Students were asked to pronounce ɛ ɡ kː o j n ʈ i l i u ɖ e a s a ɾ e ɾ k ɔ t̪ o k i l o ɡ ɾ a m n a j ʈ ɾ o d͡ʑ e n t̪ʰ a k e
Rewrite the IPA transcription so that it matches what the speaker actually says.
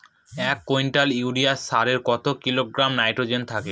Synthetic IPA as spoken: ɛ k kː o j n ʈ a l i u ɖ i a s a ɾ e ɾ k ɔ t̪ o k i l o ɡ ɾ a m n a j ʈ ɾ o d͡ʑ e n t̪ʰ a k e

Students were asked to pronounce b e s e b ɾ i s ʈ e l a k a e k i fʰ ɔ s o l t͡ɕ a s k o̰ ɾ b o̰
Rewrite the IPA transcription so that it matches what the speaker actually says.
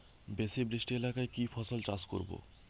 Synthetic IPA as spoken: b e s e b ɾ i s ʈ e l a k a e k i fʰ ɔ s o l t͡ɕ a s k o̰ ɾ b o̰

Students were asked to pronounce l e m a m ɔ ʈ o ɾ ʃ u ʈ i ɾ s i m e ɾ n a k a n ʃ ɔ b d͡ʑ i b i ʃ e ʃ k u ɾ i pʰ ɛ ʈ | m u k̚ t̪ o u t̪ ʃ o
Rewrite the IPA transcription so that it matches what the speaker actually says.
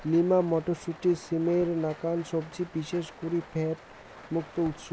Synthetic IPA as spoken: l i m a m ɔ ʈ o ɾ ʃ u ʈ i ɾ s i m e ɾ n a k a n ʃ ɔ b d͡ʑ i b i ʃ e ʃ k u ɾ i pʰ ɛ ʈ | m u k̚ t̪ o u t̪ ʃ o

